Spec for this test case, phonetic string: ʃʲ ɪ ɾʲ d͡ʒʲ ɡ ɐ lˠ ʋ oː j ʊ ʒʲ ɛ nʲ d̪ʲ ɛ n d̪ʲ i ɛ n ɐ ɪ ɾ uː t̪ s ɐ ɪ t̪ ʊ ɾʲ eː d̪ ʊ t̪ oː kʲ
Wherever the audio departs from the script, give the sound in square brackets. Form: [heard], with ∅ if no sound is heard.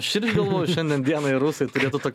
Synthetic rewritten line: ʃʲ ɪ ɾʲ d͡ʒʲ ɡ ɐ lˠ ʋ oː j ʊ [ʃʲ] ɛ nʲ d̪ʲ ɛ n d̪ʲ i ɛ n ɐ ɪ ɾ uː [∅] s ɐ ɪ t̪ ʊ ɾʲ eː [t̪] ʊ t̪ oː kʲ